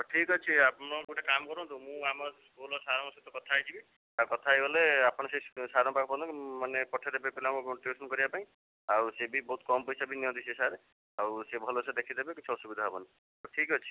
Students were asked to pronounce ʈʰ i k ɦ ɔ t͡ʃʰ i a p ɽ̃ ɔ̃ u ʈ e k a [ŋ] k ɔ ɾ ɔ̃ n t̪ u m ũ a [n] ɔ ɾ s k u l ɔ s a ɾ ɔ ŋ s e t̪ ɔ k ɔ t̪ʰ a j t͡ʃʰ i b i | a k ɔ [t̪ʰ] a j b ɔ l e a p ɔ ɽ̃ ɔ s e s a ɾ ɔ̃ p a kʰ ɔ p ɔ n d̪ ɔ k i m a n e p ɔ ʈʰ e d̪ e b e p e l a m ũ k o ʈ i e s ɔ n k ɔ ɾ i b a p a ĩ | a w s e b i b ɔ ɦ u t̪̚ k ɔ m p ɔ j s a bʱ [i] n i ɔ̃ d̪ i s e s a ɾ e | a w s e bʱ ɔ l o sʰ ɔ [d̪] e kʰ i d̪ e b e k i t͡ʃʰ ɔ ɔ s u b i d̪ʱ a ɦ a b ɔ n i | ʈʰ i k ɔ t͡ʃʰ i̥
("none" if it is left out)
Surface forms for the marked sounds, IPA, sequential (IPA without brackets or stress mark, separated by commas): m, m, t̪ʰ, i, d̪